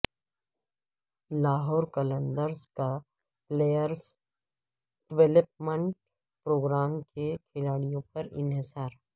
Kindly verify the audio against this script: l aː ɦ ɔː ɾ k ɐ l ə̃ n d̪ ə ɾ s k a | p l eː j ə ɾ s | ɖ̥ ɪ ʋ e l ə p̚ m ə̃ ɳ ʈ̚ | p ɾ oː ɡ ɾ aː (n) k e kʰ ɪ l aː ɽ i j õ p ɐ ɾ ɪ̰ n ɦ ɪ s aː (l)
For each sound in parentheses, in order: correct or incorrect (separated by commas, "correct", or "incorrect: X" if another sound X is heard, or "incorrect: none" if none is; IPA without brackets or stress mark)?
incorrect: m, incorrect: ɾ